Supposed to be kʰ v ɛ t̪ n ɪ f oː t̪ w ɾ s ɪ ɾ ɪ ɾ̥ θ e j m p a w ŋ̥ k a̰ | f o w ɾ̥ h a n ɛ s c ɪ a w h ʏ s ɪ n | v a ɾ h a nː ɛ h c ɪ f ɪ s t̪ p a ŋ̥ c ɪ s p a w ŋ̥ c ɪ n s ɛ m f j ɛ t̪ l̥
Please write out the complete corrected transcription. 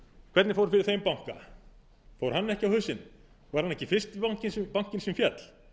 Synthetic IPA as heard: kʰ v ɛ t̪ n ɪ f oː w ɾ f ɪ ɾ ɪ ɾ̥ θ e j m p a w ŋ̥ k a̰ | f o w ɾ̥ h a nː ɛ h c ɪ a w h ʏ s ɪ n | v a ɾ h a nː ɛ h c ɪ f ɪ s t̪ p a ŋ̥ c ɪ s p a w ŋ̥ c ɪ n s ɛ m f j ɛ t̪ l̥